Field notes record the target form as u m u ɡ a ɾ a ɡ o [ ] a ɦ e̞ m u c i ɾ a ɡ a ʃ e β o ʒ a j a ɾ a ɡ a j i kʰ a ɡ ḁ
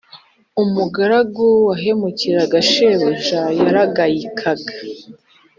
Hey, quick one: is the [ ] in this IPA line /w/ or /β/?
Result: w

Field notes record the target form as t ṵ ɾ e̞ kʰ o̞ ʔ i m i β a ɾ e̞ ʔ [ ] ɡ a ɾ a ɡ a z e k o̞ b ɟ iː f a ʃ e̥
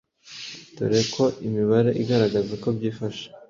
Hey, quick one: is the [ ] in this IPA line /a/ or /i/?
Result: i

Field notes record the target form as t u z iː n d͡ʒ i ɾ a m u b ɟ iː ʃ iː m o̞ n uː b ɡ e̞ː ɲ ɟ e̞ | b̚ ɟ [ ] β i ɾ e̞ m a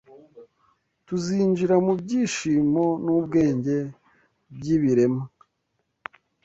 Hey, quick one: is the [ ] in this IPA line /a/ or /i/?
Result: i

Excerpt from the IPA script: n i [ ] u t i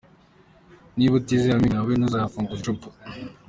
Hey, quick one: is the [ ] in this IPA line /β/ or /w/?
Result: β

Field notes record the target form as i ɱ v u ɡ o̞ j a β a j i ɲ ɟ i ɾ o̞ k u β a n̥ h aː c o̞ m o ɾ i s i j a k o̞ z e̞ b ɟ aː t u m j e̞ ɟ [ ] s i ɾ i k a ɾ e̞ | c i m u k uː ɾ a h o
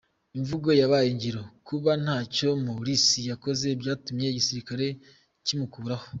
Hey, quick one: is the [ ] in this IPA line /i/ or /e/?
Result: i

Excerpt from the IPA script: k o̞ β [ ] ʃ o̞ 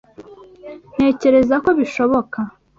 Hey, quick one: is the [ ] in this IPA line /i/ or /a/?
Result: i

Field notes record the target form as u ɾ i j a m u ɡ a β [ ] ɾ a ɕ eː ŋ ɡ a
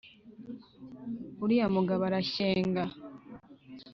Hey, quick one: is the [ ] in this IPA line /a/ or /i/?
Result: a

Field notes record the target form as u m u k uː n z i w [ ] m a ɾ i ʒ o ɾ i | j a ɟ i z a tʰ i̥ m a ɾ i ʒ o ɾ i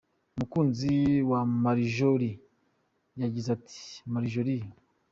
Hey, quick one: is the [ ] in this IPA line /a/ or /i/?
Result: a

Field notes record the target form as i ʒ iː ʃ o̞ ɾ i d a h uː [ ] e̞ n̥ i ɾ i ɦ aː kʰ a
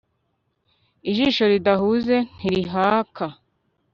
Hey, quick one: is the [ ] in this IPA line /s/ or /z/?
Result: z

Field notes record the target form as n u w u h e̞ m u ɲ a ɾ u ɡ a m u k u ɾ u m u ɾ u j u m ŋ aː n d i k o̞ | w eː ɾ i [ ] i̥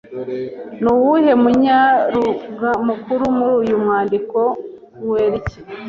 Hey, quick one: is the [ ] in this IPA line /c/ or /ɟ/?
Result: c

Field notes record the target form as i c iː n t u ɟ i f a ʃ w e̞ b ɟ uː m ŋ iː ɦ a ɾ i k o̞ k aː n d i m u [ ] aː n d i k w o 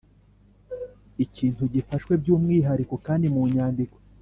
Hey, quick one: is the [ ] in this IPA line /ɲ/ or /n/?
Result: ɲ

